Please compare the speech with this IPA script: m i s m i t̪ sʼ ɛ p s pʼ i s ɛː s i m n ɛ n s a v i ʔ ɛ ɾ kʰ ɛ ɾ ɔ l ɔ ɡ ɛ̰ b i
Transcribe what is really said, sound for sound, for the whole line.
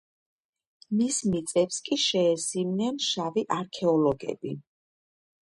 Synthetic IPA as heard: m i s m i t̪ sʼ ɛ p s kʼ i ʃ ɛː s i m n ɛ n ʃ a v i ʔ a ɾ kʰ ɛ ɔ l ɔ ɡ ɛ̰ b i